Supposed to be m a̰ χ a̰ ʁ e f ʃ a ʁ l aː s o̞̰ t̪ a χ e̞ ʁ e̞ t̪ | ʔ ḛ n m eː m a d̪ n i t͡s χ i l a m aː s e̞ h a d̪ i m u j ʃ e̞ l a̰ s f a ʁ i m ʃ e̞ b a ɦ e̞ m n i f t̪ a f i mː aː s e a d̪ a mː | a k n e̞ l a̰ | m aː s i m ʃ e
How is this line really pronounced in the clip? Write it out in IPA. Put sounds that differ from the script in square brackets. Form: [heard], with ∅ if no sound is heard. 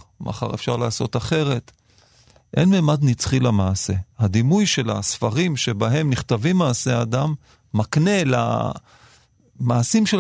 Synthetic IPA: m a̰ χ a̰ ʁ e f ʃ a ʁ l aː s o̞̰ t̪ a χ e̞ ʁ e̞ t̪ | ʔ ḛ n m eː m a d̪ n i t͡s χ i l a m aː s e̞ h a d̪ i m u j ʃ e̞ l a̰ s f a ʁ i m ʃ e̞ b a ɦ e̞ m n i [χ] t̪ a [v] i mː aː s e a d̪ a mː | a k n e̞ l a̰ | m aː s i m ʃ e